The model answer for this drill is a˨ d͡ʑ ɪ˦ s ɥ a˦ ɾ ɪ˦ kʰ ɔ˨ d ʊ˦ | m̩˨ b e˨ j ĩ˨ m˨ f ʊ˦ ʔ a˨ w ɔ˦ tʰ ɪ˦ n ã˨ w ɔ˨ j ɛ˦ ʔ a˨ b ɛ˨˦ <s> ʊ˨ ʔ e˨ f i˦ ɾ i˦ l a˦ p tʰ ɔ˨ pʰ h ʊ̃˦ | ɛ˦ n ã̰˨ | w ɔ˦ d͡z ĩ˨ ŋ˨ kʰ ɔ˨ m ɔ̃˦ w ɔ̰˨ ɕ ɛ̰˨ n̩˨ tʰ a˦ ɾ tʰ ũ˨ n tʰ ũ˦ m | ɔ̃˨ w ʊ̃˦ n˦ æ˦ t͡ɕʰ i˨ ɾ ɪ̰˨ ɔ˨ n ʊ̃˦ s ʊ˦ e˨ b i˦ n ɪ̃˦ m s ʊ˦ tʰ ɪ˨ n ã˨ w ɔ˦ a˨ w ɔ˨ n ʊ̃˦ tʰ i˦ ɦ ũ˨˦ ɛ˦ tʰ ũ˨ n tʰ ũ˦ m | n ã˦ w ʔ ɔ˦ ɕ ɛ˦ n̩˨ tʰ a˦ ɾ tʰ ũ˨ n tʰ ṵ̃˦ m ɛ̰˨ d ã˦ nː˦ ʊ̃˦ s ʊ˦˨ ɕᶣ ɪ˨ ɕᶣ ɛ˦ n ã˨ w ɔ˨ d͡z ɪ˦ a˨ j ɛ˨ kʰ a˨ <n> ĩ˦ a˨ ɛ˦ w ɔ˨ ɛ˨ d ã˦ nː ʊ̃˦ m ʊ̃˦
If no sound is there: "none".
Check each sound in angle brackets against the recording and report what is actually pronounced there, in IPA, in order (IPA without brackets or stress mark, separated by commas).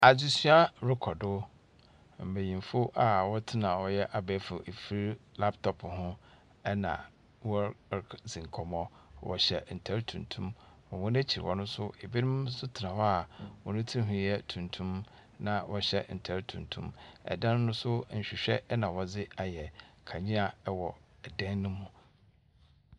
f, ɲ